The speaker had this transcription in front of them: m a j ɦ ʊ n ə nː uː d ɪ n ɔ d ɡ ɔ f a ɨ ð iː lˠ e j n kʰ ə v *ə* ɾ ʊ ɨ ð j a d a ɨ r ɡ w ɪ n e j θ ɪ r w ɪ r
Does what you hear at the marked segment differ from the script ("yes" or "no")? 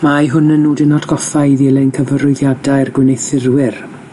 no